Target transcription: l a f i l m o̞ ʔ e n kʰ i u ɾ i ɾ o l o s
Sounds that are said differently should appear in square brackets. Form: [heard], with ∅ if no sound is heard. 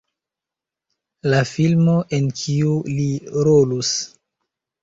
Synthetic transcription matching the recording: l a f i l m o̞ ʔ e n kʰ i u [l] i ɾ o l [u] s